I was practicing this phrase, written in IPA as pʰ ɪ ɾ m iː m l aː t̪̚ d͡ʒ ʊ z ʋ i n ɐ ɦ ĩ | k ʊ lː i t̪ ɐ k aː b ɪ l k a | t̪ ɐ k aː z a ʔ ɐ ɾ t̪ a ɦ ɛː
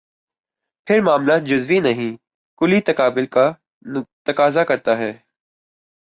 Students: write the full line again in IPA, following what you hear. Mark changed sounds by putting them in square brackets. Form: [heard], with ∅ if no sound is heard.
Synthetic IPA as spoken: pʰ ɪ ɾ m [aː] m l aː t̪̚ d͡ʒ ʊ z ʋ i n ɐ ɦ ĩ | k ʊ [l] i t̪ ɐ k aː b ɪ l k a | t̪ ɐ k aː z a [k] ɐ ɾ t̪ a ɦ ɛː